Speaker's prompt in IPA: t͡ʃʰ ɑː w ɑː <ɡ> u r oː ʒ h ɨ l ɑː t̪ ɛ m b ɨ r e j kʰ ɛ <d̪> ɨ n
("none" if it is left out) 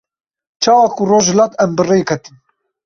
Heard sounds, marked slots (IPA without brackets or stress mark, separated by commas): k, t̪